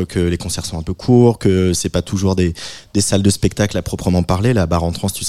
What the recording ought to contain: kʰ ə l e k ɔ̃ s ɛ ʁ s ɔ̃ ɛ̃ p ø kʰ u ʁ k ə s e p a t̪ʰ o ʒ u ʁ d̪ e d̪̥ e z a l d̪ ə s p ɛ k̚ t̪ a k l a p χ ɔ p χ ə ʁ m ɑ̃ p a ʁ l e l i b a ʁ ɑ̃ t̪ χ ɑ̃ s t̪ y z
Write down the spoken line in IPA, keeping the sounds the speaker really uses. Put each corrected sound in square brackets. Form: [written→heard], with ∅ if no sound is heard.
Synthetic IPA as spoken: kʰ ə l e k ɔ̃ s ɛ ʁ s ɔ̃ ɛ̃ p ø kʰ u ʁ k ə s [e→ɛ] p a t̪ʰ [o→u] ʒ u ʁ d̪ e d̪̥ e [z→s] a l d̪ ə s p ɛ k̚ t̪ a k l a p χ ɔ p χ ə [ʁ→∅] m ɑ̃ p a ʁ l e l [i→a] b a ʁ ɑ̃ t̪ χ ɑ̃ s t̪ y [z→s]